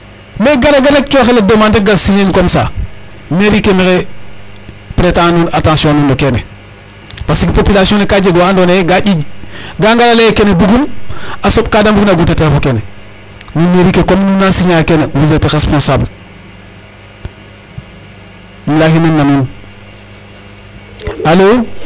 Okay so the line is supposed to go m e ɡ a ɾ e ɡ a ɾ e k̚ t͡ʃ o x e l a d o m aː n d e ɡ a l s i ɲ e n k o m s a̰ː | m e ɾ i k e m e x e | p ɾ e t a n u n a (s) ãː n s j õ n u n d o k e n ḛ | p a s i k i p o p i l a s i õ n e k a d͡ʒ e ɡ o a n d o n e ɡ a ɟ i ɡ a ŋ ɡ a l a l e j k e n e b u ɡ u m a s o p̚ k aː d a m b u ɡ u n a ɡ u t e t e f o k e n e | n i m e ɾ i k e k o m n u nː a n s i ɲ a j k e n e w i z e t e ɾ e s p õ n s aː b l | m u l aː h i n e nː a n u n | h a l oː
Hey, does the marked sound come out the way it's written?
no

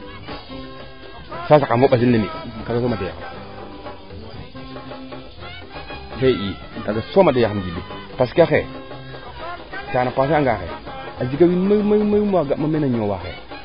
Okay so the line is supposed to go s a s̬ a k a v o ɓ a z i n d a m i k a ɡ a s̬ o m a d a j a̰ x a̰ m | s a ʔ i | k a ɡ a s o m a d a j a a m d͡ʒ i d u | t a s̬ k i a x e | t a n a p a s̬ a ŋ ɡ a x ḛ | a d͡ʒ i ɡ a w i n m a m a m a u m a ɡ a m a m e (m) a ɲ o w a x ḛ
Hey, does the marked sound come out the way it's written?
no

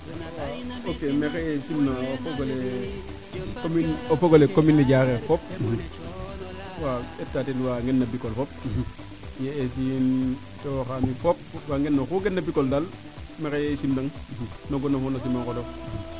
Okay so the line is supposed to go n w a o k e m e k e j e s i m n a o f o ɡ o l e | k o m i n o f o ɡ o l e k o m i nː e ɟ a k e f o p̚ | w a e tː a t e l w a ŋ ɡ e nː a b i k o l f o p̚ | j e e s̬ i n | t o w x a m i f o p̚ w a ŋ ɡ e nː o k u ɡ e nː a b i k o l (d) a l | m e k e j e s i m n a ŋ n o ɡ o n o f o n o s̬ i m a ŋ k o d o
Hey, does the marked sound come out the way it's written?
yes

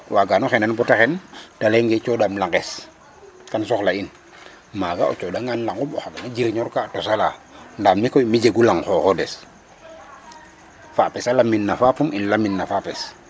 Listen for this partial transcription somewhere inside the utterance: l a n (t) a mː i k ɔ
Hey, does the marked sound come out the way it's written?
no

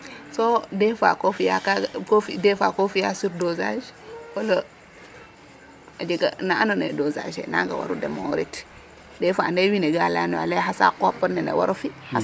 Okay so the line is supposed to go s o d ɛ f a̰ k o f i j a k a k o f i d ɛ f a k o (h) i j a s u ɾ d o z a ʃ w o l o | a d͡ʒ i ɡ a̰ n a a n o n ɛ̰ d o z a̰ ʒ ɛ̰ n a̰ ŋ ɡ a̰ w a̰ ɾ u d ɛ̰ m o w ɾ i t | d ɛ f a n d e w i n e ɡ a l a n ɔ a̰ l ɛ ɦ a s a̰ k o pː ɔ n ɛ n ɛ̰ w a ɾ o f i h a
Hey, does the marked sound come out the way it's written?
no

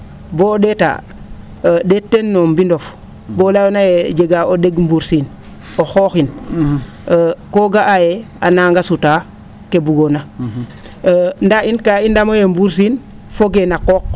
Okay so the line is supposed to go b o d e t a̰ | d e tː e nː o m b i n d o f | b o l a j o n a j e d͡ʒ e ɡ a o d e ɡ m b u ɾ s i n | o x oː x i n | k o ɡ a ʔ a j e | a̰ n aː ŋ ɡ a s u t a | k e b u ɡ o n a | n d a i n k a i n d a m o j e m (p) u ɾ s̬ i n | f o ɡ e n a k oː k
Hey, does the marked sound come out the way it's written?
no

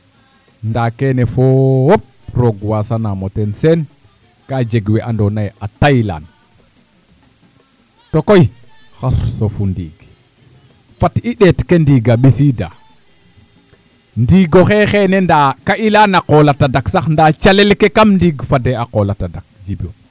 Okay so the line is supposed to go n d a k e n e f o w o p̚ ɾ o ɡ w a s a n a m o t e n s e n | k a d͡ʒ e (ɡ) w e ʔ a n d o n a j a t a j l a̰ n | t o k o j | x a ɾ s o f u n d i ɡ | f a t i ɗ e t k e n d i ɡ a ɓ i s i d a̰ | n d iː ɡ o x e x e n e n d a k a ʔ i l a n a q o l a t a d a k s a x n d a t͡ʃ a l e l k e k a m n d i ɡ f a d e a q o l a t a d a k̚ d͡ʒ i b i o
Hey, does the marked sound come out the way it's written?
yes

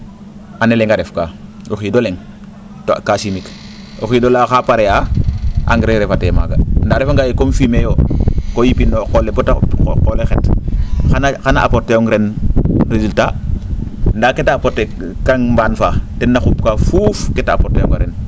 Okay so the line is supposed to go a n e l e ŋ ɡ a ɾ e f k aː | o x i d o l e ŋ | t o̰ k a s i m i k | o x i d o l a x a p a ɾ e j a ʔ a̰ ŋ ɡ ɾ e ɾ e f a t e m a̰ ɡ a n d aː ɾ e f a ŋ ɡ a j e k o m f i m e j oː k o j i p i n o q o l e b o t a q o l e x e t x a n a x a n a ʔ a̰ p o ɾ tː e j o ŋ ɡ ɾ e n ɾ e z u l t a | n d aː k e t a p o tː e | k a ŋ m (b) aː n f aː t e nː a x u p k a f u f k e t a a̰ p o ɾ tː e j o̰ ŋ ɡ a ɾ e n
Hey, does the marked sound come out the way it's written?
yes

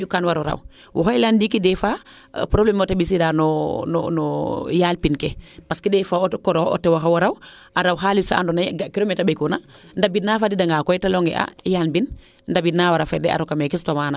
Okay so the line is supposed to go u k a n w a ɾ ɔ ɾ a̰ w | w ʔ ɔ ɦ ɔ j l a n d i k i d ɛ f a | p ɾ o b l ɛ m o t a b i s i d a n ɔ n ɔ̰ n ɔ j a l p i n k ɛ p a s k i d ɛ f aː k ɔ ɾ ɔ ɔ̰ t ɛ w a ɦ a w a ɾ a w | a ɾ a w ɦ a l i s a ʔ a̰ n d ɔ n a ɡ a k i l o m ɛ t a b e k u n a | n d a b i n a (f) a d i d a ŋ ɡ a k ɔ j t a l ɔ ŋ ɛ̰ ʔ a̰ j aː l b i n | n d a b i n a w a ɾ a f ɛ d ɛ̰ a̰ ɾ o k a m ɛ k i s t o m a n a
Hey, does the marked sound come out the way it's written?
yes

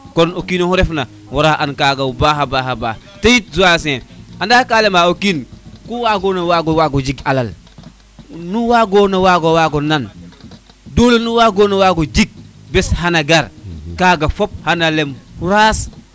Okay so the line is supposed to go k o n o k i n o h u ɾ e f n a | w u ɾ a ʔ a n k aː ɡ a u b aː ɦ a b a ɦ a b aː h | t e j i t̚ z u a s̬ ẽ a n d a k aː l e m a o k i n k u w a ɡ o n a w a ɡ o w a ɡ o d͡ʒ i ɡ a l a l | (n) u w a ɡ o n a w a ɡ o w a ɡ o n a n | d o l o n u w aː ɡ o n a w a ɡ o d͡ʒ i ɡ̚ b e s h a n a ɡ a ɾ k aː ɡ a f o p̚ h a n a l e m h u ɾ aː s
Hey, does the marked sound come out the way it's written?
yes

